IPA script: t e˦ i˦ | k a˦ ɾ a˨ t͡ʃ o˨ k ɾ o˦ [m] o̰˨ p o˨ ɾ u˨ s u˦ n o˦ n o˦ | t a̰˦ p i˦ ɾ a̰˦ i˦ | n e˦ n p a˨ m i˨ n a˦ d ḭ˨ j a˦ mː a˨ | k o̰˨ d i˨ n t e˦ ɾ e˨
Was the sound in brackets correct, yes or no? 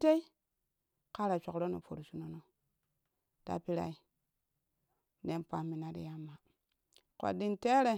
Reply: no